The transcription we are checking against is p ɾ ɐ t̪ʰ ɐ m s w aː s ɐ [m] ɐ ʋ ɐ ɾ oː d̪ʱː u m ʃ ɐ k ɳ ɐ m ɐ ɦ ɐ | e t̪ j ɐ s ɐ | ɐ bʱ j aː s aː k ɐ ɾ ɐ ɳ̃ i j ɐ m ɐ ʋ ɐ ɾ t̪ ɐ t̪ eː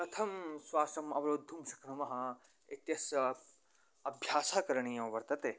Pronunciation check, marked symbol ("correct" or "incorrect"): correct